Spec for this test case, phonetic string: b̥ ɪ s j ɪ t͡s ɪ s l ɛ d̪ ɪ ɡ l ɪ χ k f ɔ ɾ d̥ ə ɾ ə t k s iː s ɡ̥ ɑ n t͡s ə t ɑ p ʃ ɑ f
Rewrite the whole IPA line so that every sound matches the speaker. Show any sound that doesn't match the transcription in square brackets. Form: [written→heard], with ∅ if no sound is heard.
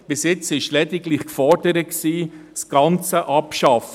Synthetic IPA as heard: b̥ ɪ s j ɪ t͡s ɪ [s→ʃ] l ɛ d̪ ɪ ɡ l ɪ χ k f ɔ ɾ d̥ ə ɾ ə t k s iː s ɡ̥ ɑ n t͡s ə [t→ʔ] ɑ p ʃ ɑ f